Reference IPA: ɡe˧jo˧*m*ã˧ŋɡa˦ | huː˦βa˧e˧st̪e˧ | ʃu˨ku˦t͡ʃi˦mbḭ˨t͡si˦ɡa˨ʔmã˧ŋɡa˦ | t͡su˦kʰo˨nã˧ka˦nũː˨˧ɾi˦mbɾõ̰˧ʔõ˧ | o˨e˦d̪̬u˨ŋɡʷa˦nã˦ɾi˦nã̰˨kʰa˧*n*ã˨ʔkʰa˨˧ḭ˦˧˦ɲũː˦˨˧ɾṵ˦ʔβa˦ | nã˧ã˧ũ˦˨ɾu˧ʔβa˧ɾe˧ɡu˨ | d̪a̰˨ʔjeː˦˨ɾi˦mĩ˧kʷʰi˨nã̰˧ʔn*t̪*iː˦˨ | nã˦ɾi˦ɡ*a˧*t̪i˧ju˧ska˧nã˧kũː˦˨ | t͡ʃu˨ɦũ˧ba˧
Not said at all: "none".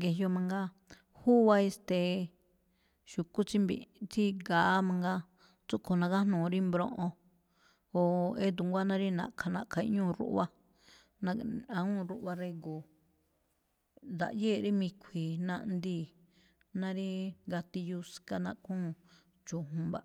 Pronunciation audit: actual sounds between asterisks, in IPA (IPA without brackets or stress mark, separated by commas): m, n, d̪, a˧